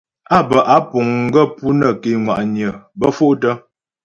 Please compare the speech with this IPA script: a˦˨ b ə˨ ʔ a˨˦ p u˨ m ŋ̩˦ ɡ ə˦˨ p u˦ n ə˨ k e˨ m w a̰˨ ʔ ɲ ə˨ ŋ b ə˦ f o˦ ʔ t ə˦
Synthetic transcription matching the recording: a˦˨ b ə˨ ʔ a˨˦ p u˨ ŋ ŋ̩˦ ɡ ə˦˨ p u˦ n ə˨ k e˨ ŋ w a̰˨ ʔ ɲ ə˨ b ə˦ f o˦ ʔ t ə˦